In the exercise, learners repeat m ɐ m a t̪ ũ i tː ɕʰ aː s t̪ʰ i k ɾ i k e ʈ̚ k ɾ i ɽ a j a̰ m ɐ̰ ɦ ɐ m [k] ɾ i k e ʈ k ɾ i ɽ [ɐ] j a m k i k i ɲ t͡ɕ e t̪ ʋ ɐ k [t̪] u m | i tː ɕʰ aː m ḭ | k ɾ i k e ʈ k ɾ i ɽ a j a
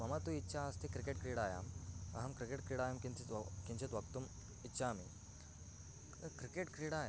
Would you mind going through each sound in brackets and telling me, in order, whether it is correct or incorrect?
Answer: correct, incorrect, correct

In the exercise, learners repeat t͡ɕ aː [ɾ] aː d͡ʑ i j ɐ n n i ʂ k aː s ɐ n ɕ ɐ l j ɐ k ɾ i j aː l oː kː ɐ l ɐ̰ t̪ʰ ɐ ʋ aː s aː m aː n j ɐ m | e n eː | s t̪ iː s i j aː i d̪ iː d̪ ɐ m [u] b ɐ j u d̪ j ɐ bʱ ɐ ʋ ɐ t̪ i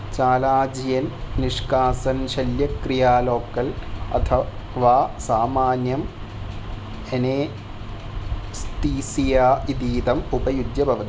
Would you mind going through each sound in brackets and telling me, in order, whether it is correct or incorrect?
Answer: incorrect, correct

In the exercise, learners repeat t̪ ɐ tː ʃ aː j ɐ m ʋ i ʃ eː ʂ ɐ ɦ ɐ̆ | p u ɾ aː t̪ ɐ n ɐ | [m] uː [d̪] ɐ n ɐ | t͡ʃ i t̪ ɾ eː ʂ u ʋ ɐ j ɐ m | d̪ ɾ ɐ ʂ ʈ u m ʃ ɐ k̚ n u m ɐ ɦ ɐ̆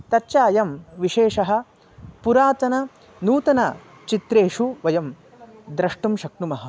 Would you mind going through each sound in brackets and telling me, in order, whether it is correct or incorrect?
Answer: incorrect, incorrect

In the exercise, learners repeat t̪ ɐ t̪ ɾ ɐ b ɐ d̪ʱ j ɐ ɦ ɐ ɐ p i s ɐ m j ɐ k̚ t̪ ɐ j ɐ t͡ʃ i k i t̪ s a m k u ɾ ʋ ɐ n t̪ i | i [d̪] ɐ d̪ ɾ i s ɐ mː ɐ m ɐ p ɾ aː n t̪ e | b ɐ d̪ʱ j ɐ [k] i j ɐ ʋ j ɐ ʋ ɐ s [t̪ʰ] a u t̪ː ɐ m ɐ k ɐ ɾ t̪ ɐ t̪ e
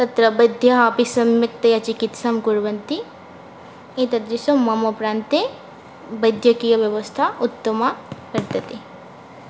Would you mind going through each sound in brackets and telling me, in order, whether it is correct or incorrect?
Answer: incorrect, correct, correct

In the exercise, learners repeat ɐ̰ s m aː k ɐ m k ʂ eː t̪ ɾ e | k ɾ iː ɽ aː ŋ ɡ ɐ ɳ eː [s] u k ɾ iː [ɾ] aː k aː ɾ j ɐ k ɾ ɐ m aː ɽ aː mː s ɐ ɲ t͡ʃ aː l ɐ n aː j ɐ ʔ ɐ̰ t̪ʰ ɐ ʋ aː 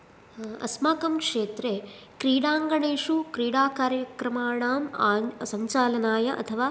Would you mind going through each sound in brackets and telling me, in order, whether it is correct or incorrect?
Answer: incorrect, incorrect

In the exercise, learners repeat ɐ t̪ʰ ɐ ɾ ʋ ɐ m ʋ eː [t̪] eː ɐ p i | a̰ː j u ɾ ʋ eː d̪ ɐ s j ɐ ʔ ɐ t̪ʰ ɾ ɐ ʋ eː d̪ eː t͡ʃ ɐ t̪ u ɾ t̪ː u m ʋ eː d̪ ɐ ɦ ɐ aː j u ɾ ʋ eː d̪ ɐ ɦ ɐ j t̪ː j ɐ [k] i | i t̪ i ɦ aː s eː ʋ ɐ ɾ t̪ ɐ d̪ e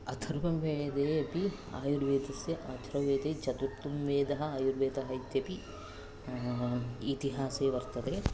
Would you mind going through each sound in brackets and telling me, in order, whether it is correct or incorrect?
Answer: incorrect, incorrect

